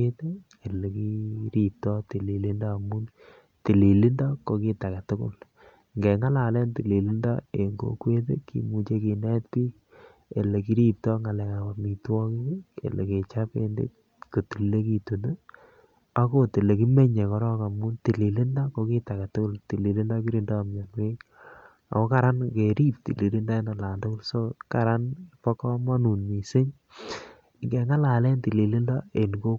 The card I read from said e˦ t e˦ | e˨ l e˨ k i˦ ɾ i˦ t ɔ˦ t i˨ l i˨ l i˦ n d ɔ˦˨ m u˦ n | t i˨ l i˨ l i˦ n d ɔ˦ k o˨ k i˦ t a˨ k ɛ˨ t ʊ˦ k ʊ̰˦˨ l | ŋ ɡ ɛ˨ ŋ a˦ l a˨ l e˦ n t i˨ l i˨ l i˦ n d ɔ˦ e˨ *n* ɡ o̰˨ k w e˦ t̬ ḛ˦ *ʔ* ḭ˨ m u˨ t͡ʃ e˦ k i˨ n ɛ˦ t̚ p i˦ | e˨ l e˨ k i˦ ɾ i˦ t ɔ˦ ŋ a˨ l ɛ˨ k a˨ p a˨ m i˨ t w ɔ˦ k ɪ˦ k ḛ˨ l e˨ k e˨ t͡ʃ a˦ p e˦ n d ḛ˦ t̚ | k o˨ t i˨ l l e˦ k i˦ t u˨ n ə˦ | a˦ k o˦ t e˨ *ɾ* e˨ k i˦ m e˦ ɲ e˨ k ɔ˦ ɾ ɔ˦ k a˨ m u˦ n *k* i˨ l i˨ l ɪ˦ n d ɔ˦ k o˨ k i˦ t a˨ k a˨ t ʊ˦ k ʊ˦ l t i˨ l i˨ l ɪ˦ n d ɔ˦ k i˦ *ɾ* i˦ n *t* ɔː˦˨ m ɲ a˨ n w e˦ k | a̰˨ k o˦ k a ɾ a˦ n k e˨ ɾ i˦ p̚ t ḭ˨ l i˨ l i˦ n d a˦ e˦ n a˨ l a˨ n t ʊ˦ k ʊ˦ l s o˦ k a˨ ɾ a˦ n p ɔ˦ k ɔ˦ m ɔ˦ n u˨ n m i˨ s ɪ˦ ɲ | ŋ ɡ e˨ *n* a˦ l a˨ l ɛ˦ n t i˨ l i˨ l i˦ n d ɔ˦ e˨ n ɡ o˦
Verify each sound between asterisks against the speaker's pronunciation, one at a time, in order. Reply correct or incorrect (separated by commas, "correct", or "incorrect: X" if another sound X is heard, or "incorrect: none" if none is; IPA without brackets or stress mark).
incorrect: ŋ, incorrect: k, incorrect: l, incorrect: t, correct, incorrect: d, incorrect: ŋ